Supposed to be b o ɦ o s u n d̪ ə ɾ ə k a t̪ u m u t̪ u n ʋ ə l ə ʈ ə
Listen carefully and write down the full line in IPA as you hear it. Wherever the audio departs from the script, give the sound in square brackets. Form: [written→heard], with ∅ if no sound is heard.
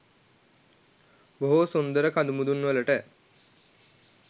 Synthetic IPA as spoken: b o ɦ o s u n d̪ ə ɾ ə k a [t̪→d̪] u m u [t̪→d̪] u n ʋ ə l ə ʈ ə